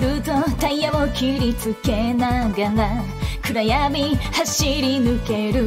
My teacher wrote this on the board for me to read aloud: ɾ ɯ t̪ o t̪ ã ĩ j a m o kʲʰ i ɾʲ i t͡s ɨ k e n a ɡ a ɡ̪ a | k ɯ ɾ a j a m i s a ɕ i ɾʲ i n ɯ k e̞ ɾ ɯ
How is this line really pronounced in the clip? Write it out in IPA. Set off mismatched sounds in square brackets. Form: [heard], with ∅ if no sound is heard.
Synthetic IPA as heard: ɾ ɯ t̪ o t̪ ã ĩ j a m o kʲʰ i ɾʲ i t͡s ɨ k e n a ɡ a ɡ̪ a | k ɯ ɾ a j a m i [h] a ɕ i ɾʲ i n ɯ k e̞ ɾ ɯ

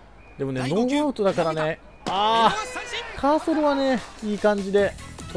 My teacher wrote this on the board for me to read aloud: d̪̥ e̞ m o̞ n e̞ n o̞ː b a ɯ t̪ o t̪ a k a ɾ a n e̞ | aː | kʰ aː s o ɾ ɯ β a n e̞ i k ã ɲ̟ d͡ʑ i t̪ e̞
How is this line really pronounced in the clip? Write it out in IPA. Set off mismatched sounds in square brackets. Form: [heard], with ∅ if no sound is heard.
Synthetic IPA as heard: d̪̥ e̞ m o̞ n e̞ n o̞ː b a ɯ t̪ o [d̪] a k a ɾ a n e̞ | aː | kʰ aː s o ɾ ɯ β a n e̞ [iː] k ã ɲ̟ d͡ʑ i [d̪] e̞

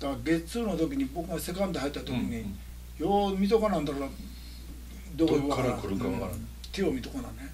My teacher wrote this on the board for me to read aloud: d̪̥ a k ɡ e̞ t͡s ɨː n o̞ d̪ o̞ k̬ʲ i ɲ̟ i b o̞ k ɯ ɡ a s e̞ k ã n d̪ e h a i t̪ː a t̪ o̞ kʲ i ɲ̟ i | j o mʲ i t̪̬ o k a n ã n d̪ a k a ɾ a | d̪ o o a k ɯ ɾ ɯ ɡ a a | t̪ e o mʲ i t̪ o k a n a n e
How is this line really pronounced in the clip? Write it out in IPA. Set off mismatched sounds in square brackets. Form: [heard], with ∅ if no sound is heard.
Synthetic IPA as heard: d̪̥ a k ɡ e̞ t͡s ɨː n o̞ [t̪] o̞ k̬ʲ i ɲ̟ i b o̞ k ɯ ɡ a s e̞ k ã n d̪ e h a i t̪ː a t̪ o̞ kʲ i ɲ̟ i | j o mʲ i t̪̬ o k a n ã n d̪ a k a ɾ a | d̪ o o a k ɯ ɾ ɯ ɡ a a | t̪ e o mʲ i t̪ o k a n a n e

